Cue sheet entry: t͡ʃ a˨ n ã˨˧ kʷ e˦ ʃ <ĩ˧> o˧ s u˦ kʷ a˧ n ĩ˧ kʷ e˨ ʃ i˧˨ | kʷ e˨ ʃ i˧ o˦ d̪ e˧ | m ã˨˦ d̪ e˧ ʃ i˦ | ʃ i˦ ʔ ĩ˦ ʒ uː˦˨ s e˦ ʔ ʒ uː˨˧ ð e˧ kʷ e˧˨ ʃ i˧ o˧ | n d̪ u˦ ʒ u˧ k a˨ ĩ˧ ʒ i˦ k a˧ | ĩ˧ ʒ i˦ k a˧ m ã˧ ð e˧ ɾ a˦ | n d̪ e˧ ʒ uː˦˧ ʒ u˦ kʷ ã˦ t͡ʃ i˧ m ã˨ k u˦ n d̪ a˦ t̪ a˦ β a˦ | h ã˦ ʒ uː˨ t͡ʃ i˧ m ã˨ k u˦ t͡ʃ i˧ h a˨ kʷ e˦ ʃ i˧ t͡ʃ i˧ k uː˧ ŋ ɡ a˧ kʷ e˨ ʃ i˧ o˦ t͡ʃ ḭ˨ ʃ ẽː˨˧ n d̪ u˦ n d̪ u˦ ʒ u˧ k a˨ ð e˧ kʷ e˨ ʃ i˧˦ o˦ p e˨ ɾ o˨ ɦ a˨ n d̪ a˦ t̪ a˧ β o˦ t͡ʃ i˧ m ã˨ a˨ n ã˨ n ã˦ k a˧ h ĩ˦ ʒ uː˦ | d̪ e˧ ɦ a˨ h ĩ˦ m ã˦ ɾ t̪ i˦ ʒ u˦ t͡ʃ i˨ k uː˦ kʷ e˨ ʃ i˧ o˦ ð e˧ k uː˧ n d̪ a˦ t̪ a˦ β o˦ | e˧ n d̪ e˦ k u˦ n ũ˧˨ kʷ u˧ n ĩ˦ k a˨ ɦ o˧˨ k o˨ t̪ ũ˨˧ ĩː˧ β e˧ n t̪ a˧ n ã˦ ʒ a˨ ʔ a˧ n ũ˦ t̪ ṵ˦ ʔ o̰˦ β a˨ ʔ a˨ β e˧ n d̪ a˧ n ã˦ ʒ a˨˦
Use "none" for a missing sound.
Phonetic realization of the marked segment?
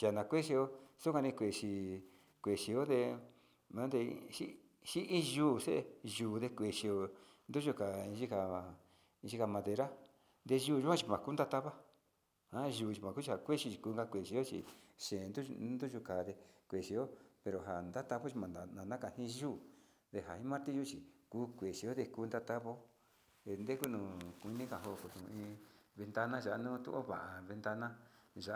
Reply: i˧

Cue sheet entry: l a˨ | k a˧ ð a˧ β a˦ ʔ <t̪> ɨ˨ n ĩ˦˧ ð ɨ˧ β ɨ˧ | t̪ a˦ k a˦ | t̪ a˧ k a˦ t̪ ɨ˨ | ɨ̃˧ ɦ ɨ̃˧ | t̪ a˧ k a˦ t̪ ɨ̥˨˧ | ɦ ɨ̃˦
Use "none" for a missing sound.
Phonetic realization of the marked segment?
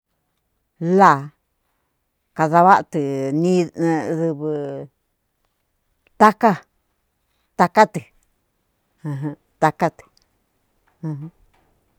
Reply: t̪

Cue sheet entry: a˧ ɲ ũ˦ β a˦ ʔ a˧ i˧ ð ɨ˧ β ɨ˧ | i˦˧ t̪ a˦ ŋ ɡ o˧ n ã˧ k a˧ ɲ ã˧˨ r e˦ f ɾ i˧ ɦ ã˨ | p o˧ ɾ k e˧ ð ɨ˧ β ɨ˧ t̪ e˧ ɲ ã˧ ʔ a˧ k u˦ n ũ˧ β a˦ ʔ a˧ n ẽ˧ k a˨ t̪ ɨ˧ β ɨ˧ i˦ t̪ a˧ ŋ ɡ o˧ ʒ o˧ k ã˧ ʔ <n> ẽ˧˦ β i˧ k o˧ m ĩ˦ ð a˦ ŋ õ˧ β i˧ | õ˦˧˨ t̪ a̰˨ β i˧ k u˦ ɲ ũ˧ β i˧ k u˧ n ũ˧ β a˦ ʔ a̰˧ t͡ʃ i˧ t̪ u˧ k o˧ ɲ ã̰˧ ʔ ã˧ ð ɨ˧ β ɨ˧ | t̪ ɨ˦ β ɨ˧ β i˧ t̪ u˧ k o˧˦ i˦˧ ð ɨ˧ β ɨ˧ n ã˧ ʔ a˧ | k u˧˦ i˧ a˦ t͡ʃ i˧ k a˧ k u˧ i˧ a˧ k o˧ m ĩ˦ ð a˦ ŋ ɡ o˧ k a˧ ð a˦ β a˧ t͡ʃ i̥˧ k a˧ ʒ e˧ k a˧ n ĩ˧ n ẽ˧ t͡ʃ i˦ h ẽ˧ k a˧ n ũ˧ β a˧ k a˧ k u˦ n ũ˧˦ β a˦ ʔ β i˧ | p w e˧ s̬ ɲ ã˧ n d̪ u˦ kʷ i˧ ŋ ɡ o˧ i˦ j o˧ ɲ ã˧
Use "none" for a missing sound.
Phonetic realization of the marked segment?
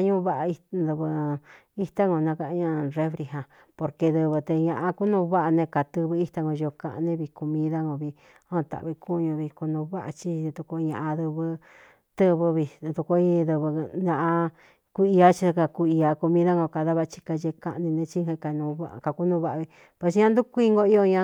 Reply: n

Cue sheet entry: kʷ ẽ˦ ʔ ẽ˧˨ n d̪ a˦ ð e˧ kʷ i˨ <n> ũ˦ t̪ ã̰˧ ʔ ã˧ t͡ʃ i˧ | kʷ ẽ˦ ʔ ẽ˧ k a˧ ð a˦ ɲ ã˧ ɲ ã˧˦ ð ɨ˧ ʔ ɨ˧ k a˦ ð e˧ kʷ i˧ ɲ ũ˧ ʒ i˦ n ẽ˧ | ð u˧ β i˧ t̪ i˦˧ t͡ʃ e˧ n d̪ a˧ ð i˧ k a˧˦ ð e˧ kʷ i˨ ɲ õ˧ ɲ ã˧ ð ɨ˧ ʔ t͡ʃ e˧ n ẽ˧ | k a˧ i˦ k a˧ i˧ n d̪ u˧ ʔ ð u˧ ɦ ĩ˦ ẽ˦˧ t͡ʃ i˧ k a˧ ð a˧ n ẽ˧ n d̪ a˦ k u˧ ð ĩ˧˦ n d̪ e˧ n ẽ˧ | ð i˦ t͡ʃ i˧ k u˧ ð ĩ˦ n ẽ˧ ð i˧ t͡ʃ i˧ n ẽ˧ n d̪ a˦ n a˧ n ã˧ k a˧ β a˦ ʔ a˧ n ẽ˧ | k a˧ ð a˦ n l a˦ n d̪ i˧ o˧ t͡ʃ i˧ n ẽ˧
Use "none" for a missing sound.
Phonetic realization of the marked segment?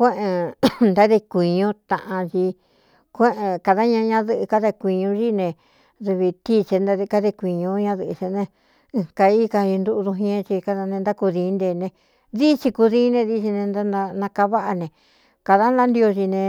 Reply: ɲ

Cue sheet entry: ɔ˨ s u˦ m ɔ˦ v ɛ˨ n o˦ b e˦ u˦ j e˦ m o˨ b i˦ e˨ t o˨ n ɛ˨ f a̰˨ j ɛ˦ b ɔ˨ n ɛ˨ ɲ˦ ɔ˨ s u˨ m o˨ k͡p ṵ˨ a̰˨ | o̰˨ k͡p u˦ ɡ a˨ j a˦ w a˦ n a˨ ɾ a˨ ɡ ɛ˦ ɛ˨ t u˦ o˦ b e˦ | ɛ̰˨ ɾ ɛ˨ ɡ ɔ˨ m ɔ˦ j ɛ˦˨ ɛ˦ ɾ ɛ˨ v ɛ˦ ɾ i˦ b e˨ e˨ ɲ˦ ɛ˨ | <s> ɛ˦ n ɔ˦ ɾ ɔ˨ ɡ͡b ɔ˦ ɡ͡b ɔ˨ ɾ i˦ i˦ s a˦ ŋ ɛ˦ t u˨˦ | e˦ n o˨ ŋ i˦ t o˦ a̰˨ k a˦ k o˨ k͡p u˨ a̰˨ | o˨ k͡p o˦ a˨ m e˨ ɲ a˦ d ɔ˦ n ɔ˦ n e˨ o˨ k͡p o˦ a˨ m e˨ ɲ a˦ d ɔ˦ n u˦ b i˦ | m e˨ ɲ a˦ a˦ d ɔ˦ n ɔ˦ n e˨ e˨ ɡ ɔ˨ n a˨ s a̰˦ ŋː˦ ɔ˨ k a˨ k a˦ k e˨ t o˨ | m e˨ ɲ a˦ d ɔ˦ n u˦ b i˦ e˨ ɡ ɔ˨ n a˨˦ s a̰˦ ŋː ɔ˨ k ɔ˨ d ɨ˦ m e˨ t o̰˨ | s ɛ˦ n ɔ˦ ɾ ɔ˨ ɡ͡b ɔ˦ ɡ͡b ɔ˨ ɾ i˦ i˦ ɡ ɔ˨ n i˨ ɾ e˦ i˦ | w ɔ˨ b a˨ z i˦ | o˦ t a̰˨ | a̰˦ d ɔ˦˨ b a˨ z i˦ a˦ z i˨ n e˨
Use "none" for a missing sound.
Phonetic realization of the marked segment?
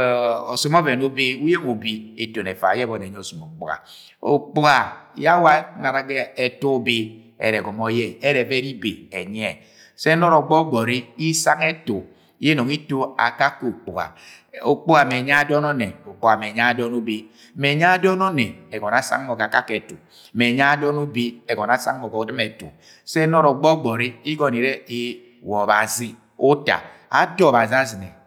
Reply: s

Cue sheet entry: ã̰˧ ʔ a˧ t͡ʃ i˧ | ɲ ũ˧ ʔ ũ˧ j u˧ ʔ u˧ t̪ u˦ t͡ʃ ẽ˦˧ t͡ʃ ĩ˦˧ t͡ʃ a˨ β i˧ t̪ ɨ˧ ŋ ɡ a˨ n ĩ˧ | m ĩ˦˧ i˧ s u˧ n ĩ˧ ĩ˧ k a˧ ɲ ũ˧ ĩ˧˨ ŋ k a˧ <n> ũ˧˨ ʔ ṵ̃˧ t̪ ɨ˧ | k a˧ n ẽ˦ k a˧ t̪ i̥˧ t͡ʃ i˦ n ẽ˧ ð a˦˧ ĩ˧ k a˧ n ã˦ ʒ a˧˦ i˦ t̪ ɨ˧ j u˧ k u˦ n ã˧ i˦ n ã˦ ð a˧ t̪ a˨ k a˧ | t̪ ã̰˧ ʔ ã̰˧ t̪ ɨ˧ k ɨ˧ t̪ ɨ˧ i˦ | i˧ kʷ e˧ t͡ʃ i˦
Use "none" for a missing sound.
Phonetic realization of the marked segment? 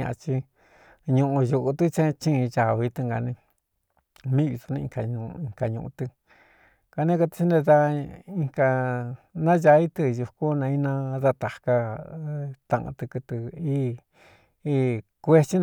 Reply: ɲ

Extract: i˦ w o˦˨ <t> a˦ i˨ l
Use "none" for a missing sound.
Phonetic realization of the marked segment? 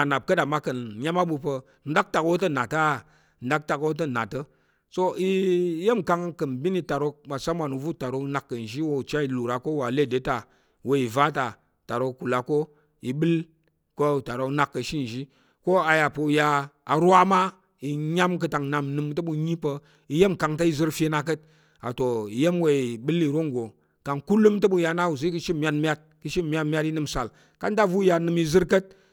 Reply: t͡ʃ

